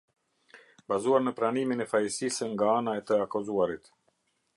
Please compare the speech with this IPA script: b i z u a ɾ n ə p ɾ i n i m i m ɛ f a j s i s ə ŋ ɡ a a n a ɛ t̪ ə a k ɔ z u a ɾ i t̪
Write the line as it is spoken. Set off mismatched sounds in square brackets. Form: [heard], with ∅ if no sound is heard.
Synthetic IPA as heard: b [a] z u a ɾ n ə p ɾ [a] n i m i [n] ɛ f a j s i s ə ŋ ɡ a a n a ɛ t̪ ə a k ɔ z u a ɾ i t̪